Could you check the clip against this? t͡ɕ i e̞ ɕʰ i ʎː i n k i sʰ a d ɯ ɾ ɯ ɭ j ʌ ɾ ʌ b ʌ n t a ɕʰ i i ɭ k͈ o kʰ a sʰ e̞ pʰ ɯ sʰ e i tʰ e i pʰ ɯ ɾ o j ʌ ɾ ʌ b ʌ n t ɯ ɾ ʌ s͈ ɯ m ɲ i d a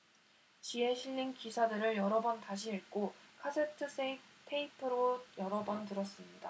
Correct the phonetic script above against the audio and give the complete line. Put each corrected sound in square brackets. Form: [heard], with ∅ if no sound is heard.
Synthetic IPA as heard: t͡ɕ i e̞ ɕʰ i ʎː i n k i sʰ a d ɯ ɾ ɯ ɭ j ʌ ɾ ʌ b ʌ n t a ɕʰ i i ɭ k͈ o kʰ a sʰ e̞ [tʰ] ɯ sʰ e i tʰ e i pʰ ɯ ɾ o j ʌ ɾ ʌ b ʌ n t ɯ ɾ ʌ s͈ ɯ m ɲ i d a